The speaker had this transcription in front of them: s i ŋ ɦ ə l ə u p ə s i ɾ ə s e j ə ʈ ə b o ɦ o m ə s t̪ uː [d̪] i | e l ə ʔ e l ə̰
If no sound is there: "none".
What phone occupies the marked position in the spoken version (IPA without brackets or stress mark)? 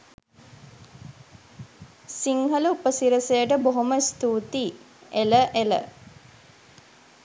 t̪